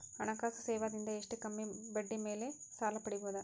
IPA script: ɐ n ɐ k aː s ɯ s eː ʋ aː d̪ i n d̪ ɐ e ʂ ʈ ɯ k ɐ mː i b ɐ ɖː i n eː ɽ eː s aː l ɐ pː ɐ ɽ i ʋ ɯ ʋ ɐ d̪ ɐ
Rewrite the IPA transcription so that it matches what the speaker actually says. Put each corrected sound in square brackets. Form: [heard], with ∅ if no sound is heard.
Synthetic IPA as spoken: ɐ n ɐ k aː s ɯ s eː ʋ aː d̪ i n d̪ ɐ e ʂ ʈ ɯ k ɐ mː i b ɐ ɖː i [m] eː [l] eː s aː l ɐ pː ɐ ɽ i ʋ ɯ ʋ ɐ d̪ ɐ